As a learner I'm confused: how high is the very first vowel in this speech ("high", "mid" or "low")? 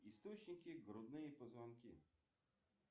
high